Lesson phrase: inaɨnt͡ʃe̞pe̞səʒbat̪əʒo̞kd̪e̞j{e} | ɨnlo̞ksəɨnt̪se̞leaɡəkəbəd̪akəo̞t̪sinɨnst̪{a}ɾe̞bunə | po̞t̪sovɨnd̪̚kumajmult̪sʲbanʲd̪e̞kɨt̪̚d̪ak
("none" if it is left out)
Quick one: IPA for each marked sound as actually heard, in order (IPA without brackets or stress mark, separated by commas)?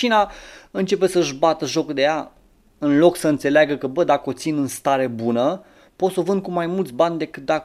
a, a